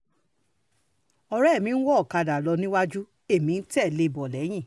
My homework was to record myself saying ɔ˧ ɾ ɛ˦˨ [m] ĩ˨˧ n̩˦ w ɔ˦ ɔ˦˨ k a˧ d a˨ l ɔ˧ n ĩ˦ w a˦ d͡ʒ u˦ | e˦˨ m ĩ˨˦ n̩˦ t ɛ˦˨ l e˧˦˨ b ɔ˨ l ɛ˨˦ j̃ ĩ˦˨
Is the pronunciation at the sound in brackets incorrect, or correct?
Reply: correct